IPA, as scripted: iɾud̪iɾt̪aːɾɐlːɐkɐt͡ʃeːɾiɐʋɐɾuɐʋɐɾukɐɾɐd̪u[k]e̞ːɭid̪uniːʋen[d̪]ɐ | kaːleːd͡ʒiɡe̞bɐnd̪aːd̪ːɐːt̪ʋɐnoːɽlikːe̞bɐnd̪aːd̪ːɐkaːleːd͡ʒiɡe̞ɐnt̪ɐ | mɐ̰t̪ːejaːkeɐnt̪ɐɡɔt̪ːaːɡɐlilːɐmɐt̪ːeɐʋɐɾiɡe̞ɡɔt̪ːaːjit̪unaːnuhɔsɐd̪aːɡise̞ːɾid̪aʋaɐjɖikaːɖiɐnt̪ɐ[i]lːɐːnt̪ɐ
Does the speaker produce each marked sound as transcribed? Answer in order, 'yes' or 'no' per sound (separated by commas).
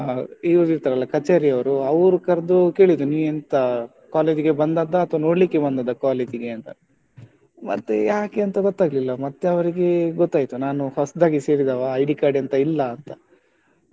yes, no, yes